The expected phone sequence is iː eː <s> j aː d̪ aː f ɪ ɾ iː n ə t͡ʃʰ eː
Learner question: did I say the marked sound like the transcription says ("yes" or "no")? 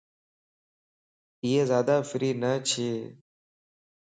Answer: no